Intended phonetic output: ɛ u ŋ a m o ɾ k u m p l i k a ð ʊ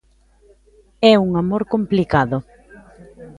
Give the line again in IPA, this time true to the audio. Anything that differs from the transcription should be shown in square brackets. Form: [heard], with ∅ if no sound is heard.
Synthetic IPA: ɛ u ŋ a m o ɾ k [o] m p l i k a ð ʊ